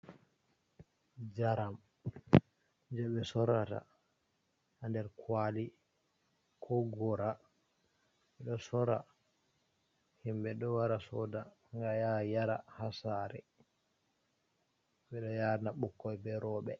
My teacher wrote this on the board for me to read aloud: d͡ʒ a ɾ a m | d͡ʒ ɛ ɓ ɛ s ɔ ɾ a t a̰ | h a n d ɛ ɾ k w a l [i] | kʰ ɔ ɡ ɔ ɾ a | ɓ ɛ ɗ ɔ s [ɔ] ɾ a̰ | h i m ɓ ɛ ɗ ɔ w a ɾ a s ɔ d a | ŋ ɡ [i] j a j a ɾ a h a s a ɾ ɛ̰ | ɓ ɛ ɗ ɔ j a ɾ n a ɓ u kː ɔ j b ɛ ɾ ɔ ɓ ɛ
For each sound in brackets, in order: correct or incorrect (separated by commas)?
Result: correct, correct, incorrect